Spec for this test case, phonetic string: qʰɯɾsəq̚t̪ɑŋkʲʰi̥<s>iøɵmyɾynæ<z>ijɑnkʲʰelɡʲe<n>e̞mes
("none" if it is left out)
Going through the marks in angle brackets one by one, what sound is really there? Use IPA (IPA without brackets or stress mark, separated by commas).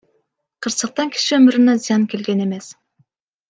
ʃ, z, n